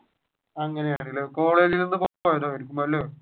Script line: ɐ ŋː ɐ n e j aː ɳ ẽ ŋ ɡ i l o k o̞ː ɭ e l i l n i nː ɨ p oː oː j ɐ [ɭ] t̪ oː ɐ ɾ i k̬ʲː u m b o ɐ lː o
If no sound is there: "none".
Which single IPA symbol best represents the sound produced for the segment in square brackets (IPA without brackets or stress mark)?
none